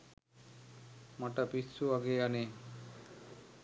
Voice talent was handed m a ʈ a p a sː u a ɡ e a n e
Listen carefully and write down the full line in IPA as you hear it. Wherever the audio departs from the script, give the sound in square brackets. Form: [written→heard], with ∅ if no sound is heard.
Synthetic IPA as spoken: m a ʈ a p [a→i] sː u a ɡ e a n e